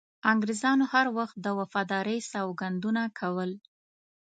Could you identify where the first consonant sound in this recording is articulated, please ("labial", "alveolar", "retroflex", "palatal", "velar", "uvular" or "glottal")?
velar